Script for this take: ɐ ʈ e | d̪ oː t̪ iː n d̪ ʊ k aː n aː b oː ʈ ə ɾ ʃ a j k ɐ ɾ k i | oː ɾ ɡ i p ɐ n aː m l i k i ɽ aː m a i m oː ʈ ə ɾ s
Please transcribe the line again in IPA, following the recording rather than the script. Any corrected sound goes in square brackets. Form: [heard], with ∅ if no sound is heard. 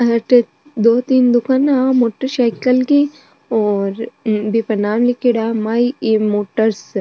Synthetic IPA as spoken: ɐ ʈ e | d̪ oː t̪ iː n d̪ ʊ k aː n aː [m] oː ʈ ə ɾ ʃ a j k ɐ [l] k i | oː ɾ [b] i p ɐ n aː m l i k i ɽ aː m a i m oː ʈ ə ɾ s